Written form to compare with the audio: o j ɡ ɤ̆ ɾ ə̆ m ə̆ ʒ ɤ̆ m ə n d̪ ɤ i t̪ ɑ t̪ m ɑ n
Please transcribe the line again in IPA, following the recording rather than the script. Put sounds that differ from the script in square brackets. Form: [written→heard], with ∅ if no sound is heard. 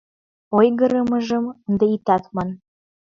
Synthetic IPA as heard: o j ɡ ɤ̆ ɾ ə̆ m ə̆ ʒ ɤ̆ m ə n d̪ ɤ i t̪ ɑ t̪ m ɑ n